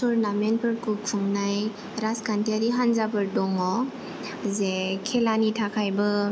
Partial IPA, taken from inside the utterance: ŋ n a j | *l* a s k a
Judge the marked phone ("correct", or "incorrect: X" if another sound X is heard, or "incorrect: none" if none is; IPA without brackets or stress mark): incorrect: ɾ